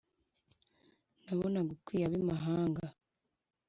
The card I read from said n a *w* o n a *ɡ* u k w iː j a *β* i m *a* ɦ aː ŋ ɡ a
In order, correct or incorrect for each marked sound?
incorrect: β, correct, correct, correct

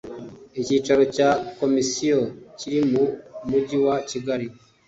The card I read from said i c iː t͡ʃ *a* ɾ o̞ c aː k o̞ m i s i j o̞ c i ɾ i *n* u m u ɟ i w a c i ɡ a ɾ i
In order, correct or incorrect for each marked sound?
correct, incorrect: m

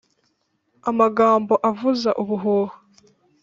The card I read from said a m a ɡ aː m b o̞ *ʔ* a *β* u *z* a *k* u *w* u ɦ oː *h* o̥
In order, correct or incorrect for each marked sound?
correct, incorrect: v, correct, incorrect: ʔ, incorrect: β, correct

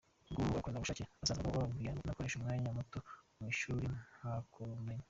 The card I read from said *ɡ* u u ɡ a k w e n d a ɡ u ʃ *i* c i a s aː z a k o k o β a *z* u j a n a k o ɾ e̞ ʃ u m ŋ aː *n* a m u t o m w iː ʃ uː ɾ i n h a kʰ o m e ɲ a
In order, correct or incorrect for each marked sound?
correct, incorrect: a, incorrect: v, incorrect: ɲ

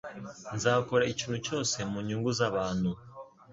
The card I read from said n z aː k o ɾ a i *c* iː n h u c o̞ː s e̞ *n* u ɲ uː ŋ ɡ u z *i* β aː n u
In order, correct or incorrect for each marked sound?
correct, incorrect: m, incorrect: a

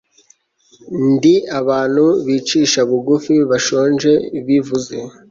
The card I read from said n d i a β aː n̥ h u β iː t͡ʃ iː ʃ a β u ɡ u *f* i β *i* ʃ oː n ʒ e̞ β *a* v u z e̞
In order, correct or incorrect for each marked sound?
correct, incorrect: a, incorrect: i

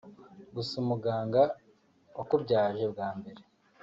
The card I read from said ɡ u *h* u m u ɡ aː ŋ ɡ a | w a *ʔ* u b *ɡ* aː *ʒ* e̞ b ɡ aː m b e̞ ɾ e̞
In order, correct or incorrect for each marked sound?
incorrect: s, incorrect: k, incorrect: ɟ, correct

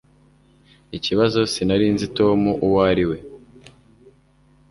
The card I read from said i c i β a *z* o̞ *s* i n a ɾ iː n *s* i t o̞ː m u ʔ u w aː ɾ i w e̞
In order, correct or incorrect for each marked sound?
correct, correct, incorrect: z

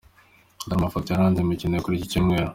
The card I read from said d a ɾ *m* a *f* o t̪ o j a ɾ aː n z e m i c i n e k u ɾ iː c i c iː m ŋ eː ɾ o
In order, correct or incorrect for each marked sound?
correct, correct

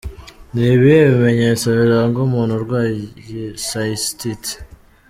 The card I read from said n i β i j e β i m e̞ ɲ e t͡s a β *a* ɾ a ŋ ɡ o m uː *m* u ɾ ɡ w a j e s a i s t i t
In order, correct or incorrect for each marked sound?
incorrect: i, incorrect: n

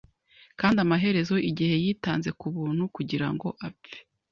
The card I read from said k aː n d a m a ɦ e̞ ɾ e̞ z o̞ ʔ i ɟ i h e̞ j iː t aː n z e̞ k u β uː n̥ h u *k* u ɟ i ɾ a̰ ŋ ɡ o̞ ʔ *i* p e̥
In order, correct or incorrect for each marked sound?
correct, incorrect: a

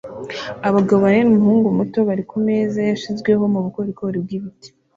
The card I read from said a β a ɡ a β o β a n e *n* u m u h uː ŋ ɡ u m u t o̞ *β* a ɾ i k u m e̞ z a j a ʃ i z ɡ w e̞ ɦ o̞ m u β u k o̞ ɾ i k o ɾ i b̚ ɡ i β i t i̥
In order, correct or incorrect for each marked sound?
correct, correct

